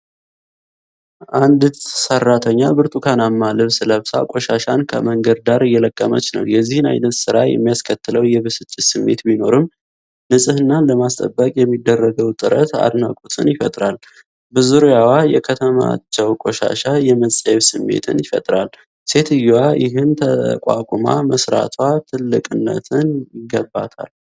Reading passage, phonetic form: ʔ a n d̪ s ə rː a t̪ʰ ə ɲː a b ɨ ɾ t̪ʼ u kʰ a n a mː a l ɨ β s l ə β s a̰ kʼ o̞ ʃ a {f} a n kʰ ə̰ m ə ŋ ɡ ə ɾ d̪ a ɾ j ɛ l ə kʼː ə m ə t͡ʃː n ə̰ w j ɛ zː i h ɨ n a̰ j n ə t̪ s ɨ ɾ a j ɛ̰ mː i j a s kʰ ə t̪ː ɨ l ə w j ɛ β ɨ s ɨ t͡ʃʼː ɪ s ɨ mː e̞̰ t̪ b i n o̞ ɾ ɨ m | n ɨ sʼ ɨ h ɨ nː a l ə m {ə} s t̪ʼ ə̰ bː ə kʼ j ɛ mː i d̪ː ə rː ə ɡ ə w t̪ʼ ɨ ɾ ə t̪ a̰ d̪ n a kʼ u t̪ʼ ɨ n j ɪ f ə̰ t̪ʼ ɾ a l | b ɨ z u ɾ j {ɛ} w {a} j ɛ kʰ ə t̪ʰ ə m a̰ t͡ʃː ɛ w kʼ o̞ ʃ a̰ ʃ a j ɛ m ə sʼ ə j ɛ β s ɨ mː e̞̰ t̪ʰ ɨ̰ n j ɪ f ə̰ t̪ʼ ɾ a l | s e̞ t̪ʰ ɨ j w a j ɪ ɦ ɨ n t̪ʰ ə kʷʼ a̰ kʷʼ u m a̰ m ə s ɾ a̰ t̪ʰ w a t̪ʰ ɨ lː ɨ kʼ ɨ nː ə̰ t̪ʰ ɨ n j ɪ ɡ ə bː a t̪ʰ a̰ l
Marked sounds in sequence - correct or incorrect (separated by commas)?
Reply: incorrect, incorrect, incorrect, correct